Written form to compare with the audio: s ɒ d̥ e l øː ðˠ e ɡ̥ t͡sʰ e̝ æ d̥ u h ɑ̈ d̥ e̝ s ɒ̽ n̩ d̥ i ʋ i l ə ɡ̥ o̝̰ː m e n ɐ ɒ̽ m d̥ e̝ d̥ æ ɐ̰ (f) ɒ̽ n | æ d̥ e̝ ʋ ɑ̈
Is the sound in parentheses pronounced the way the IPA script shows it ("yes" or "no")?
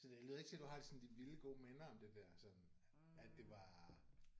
no